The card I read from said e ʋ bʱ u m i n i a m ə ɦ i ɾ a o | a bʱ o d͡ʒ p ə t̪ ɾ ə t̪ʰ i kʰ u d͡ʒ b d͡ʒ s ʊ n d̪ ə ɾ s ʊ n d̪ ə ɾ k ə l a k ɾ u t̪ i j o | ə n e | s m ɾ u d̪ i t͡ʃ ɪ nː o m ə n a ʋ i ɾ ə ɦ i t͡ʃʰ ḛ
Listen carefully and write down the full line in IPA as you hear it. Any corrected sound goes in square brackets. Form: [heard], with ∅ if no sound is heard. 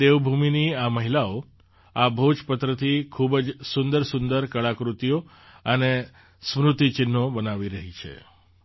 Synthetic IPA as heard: e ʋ bʱ u m i n i a m ə ɦ i [l] a o | a bʱ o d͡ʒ p ə t̪ ɾ ə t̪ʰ i kʰ u [∅] b d͡ʒ s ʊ n d̪ ə ɾ s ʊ n d̪ ə ɾ k ə [ɭ] a k ɾ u t̪ i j o | ə n e | s m ɾ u [t̪] i t͡ʃ ɪ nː o [b] ə n a ʋ i ɾ ə ɦ i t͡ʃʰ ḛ

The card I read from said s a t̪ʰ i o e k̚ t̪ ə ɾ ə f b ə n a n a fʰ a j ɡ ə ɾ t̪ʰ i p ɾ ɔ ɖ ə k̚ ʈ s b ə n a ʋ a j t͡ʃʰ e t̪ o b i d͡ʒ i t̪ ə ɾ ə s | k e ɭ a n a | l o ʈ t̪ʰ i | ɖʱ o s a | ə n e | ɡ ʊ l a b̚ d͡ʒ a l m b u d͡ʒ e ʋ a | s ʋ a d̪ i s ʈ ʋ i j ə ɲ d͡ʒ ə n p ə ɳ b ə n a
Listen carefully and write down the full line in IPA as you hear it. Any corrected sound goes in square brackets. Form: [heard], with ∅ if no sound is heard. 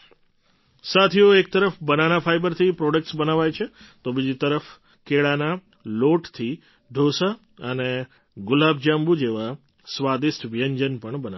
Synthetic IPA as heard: s a t̪ʰ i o e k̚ t̪ ə ɾ ə f b ə n a n a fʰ a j [b] ə ɾ t̪ʰ i p ɾ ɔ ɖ ə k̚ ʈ s b ə n a ʋ a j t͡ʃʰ e t̪ o b i d͡ʒ i t̪ ə ɾ ə [f] | k e ɭ a n a | l o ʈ t̪ʰ i | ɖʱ o s a | ə n e | ɡ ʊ l a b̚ d͡ʒ a [∅] m b u d͡ʒ e ʋ a | s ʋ a d̪ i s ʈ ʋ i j ə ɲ d͡ʒ ə n p ə ɳ b ə n a

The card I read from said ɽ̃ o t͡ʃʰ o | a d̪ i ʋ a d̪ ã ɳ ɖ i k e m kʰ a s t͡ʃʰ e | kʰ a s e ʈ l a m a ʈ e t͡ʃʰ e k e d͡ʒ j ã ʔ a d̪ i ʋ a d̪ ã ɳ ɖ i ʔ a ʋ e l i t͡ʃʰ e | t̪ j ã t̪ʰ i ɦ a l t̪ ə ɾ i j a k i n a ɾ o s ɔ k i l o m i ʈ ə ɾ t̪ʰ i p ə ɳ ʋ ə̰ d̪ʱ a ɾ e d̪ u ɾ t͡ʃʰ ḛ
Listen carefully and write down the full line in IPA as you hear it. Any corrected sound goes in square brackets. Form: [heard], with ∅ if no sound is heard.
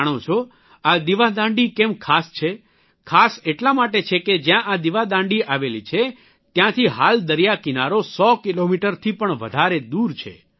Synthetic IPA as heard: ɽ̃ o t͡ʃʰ o | a d̪ i ʋ a d̪ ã ɳ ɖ i k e m kʰ a s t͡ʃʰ e | kʰ a s e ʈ l a m a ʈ e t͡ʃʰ e k e d͡ʒ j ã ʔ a d̪ i ʋ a d̪ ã ɳ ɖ i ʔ a ʋ e l i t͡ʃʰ e | t̪ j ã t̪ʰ i ɦ a l [d̪] ə ɾ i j a k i n a ɾ o s ɔ k i l o m i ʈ ə ɾ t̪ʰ i p ə ɳ ʋ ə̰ d̪ʱ a ɾ e d̪ u ɾ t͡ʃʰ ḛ

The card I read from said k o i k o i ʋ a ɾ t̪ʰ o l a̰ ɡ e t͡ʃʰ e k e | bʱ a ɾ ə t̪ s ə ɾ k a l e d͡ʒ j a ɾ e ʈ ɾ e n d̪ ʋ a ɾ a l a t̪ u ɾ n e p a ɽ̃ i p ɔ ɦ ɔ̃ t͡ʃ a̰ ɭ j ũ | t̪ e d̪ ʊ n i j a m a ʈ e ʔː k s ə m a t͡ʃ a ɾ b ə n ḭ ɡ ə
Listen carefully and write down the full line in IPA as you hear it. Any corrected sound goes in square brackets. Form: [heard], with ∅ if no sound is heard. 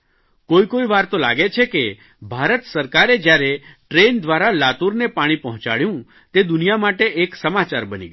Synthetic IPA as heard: k o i k o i ʋ a ɾ [t̪] o l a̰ ɡ e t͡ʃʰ e k e | bʱ a ɾ ə t̪ s ə ɾ k a [ɾ] e d͡ʒ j a ɾ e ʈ ɾ e n d̪ ʋ a ɾ a l a t̪ u ɾ n e p a ɽ̃ i p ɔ ɦ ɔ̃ t͡ʃ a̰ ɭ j ũ | t̪ e d̪ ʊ n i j a m a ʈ e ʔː k s ə m a t͡ʃ a ɾ b ə n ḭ ɡ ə

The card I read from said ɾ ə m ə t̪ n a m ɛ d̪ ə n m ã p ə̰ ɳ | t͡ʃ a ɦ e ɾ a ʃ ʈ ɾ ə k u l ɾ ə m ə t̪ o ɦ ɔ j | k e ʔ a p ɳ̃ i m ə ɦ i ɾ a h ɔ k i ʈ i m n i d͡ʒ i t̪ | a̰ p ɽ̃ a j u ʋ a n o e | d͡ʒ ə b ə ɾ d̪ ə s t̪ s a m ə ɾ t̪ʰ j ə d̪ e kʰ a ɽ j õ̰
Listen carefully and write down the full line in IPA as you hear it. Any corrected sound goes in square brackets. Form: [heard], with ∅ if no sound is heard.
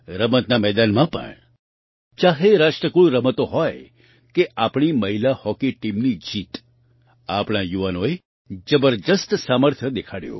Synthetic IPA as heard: ɾ ə m ə t̪ n a m ɛ d̪ [a] n m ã p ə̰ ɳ | t͡ʃ a ɦ e ɾ a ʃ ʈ ɾ ə k u [ɭ] ɾ ə m ə t̪ o ɦ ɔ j | k e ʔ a p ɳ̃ i m ə ɦ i [l] a h ɔ k i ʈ i m n i d͡ʒ i t̪ | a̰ p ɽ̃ a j u ʋ a n o e | d͡ʒ ə b ə ɾ d̪ ə s t̪ s a m ə ɾ t̪ʰ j ə d̪ e kʰ a ɽ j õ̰

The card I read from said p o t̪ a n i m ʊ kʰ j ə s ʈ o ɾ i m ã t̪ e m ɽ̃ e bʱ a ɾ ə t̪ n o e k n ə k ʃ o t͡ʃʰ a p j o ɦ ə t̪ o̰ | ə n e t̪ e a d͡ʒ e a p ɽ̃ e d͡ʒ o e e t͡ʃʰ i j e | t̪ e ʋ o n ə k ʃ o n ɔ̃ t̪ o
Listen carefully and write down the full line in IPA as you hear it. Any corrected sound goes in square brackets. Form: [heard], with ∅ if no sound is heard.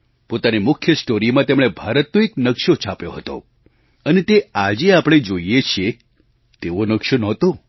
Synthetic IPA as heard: p o t̪ a n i m ʊ kʰ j ə s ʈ o ɾ i m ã t̪ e m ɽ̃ e bʱ a ɾ ə t̪ n o e k n ə k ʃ o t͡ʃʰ a p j o ɦ ə t̪ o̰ | ə n e t̪ e a d͡ʒ e a p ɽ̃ e d͡ʒ o [i] e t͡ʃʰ i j e | t̪ e ʋ o n ə k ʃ o n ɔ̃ t̪ o

